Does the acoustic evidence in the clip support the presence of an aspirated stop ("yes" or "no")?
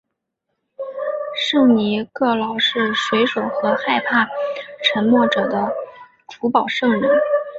yes